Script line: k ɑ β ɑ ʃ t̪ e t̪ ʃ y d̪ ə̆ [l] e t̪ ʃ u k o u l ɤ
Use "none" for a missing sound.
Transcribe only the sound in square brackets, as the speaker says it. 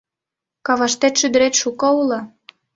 ɾ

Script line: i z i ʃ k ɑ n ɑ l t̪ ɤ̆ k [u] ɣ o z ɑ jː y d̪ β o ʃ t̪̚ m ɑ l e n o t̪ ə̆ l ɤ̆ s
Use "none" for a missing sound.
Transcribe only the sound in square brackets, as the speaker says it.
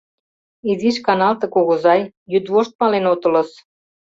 o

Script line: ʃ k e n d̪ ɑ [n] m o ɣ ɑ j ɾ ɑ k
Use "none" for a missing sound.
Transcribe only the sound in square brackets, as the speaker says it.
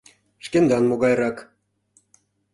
n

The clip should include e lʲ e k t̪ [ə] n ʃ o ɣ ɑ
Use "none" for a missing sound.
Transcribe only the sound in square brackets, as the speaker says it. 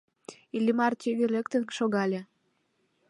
ə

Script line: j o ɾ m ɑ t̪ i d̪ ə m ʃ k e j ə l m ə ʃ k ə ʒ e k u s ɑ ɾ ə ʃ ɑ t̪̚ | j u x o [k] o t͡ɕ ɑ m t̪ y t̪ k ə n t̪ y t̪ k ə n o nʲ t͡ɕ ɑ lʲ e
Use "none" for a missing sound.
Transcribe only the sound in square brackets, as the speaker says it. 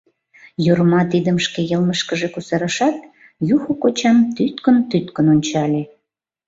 k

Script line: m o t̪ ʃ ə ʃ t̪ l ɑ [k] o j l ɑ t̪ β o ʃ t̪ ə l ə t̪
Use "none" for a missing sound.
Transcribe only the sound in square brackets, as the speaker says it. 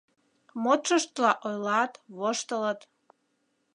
ʔ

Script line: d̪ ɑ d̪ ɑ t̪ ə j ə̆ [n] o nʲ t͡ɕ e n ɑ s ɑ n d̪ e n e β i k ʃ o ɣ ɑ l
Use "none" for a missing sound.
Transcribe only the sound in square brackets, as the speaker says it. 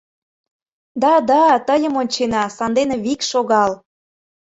m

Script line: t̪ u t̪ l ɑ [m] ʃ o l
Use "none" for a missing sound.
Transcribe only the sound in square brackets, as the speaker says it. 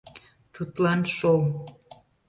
n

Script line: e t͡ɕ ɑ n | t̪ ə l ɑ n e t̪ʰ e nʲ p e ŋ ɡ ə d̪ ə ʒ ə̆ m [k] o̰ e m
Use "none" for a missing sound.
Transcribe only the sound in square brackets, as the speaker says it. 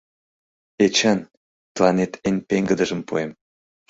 p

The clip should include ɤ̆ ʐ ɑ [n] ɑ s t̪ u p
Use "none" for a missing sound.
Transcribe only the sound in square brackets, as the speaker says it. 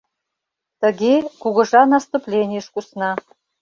n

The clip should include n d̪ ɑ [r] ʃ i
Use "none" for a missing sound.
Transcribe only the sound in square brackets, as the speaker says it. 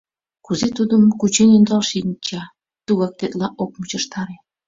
l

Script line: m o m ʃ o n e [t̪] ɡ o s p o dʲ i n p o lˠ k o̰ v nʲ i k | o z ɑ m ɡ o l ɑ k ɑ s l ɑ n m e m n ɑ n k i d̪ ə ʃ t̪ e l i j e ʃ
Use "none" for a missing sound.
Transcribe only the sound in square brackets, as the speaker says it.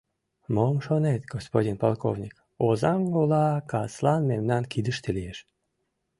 t̪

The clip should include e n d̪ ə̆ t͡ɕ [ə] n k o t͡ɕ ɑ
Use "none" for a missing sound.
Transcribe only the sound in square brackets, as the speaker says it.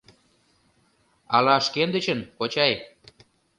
ə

